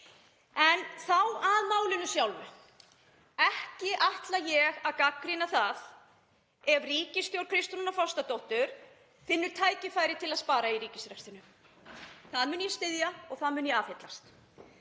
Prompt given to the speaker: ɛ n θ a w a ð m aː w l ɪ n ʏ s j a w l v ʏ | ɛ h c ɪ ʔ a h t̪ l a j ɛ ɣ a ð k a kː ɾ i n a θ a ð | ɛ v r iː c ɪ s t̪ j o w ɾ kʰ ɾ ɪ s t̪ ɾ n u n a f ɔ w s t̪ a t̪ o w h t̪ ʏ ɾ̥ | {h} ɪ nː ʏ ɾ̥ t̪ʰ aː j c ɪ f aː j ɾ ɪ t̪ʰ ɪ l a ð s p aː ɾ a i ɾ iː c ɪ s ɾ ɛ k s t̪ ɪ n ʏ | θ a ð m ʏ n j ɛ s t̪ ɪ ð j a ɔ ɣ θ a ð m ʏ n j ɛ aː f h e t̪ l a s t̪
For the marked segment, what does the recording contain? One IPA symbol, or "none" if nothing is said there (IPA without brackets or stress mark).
f